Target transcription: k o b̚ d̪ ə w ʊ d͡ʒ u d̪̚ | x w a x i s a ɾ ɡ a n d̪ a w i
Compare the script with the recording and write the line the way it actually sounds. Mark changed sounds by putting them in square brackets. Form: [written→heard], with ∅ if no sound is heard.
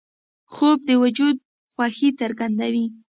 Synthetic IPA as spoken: [k→x] o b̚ d̪ ə w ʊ d͡ʒ u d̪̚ | x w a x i [s→t͡s] a ɾ ɡ a n d̪ a w i